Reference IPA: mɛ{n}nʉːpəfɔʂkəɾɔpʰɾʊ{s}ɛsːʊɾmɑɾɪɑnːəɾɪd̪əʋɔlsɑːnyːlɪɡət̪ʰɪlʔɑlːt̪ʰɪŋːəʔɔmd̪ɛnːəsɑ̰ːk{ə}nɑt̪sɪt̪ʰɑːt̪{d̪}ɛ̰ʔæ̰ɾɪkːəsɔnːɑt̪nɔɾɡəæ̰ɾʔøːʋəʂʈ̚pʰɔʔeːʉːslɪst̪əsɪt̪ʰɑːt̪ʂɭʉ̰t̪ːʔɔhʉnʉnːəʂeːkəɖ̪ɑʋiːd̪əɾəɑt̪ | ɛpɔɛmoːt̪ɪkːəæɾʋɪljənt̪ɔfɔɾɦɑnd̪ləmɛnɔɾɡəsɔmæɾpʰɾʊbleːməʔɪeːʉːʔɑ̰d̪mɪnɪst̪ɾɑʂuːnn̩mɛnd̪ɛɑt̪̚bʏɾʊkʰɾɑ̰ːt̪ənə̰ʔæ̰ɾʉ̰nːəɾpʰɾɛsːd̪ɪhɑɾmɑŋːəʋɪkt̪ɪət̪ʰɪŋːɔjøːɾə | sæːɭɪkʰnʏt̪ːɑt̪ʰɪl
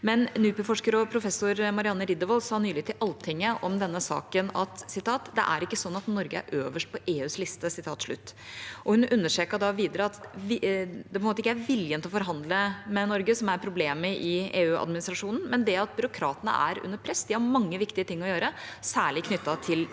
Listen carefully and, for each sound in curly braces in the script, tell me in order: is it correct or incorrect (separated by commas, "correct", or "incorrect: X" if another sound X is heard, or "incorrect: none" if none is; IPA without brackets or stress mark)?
correct, incorrect: f, correct, correct